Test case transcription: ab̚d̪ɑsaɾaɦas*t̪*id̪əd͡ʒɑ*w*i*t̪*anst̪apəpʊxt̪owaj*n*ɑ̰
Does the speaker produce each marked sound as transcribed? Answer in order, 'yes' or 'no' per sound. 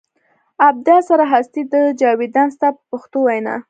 yes, yes, no, yes

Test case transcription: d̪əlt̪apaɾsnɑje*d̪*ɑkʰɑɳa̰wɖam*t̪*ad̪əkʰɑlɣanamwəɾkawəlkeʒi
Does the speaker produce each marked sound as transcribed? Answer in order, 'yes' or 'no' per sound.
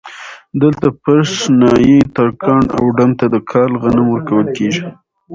no, yes

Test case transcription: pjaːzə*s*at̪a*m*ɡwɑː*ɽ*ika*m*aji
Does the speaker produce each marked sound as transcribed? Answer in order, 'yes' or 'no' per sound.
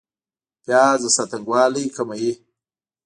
yes, no, no, yes

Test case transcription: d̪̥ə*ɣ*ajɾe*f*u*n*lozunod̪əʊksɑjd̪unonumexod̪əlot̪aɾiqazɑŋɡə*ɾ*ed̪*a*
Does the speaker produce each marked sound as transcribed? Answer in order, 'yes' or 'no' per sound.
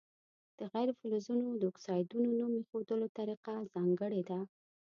yes, yes, no, no, yes

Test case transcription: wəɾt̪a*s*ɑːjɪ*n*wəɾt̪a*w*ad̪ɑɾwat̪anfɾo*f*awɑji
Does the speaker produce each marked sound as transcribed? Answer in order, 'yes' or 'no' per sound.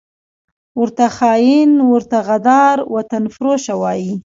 no, yes, no, no

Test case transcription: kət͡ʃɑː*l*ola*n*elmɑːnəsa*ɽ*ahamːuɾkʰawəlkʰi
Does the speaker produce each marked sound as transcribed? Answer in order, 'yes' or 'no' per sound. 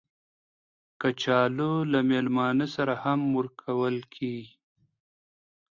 yes, no, no

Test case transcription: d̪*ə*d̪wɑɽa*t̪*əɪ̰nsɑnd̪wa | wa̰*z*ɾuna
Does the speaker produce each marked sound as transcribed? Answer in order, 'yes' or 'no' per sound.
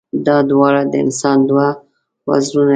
no, no, yes

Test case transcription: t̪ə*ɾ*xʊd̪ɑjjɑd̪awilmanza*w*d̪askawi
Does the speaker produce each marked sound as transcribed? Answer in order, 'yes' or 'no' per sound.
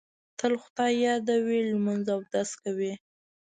no, yes

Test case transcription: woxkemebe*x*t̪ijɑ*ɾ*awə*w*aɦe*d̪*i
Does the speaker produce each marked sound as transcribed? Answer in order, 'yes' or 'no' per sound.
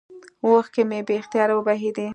yes, yes, no, yes

